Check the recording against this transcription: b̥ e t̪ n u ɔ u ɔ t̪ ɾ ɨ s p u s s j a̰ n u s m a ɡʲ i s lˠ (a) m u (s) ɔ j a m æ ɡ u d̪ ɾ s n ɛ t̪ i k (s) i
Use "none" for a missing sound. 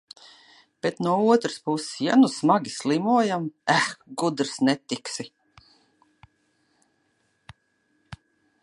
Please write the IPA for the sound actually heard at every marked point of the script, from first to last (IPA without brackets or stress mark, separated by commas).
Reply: i, none, s